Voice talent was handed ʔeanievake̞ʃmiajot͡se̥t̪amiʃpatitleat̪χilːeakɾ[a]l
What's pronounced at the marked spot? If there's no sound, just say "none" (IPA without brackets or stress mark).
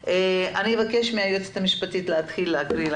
i